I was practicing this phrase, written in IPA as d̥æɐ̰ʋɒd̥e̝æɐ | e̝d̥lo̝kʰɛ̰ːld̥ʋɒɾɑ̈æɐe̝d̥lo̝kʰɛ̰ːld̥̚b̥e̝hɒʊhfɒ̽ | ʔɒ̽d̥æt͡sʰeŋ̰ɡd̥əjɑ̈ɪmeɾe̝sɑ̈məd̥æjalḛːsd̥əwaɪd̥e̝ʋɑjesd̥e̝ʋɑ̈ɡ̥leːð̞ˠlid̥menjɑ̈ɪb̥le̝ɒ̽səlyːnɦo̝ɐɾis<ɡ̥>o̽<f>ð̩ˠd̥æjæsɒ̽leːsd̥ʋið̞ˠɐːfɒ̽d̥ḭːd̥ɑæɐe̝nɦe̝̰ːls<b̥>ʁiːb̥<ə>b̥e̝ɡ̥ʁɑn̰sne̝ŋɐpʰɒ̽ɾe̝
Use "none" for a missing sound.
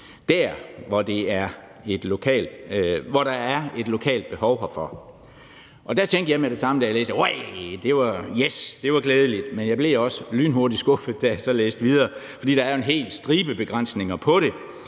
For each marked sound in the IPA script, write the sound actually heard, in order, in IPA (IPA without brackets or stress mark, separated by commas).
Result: ɡ̥, f, d̥, ə